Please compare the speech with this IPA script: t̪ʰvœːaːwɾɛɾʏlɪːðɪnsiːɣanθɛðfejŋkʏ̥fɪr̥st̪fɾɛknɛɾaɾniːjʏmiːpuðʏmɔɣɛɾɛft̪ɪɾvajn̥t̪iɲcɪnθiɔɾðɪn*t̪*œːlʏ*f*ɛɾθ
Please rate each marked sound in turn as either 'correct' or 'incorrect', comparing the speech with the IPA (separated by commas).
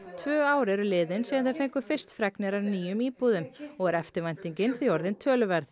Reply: incorrect, incorrect